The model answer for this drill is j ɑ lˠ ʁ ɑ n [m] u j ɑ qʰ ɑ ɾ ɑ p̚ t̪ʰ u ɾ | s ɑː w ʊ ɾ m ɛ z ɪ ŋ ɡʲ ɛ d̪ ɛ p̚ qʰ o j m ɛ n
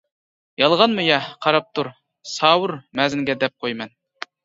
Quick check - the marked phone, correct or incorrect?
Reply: correct